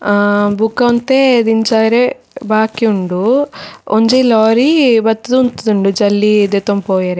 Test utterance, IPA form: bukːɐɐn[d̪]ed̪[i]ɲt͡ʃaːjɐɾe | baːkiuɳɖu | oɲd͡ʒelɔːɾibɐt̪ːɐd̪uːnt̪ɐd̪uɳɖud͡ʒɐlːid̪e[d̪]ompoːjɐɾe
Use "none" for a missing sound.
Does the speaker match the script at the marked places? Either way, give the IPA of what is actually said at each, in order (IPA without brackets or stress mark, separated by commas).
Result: t̪, i, t̪